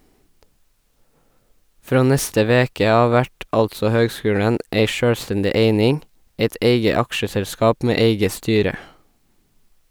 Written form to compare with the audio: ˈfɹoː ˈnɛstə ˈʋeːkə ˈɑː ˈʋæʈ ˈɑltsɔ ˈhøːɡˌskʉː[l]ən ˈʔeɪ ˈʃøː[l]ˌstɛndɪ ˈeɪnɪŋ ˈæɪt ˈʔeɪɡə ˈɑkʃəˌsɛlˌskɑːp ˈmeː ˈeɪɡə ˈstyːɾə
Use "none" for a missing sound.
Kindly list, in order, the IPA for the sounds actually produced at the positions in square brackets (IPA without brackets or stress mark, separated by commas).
ɽ, ɽ